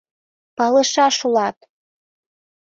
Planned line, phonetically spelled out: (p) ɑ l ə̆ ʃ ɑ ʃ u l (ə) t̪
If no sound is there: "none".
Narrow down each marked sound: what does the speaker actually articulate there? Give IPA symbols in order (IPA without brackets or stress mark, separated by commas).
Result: p, ɑ